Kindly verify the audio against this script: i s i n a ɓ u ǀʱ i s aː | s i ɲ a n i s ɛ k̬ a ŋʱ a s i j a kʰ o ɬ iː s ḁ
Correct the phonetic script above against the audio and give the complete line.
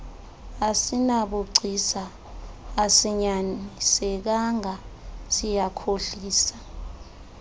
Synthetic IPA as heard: a s i n a ɓ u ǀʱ i s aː | s i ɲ a n i s ɛ k̬ a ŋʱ a s i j a kʰ o ɬ iː s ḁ

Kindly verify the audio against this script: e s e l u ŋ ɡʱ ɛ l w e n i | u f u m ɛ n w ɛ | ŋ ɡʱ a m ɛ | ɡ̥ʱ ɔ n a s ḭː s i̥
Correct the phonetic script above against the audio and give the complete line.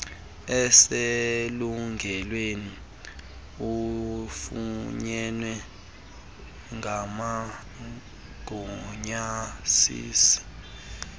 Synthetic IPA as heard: ɛ s e l u ŋ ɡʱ ɛ l w e n i | u f u ɲ ɛ n w ɛ | ŋ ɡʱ a m a | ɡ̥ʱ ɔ ɲ a s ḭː s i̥

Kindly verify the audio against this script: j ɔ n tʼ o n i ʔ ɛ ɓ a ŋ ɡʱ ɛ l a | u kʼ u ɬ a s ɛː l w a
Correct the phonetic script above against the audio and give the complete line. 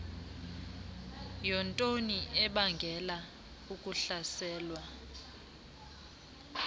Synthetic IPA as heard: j ɔ n tʼ o n i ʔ ɛ ɓ a ŋ ɡʱ ɛ l a | u kʼ u ɬ a s ɛː l w a

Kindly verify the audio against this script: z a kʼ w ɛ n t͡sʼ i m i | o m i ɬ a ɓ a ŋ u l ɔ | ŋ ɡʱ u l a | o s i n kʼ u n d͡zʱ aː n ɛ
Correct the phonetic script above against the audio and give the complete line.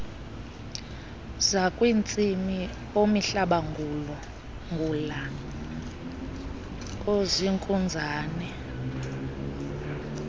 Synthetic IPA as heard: z a kʼ w i n t͡sʼ i m i | o m i ɬ a ɓ a ŋ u l ɔ | ŋ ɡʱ u l a | o z i ŋ kʼ u n d͡zʱ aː n ɛ

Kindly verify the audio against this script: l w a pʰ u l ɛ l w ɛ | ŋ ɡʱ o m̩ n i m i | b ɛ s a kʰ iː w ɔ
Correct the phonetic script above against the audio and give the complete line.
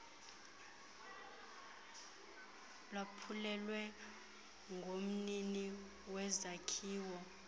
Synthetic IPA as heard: l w a pʰ u l ɛ l w ɛ | ŋ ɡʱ o m̩ n i n i | w ɛ z a kʰ iː w ɔ

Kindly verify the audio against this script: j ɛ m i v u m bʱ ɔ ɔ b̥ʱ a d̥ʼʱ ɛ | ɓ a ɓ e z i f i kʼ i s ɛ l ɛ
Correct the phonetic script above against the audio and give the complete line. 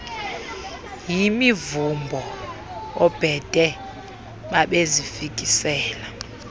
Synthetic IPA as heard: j i m i v u m bʱ ɔ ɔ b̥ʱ ɛ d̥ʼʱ ɛ | ɓ a ɓ e z i f i kʼ i s ɛː l a

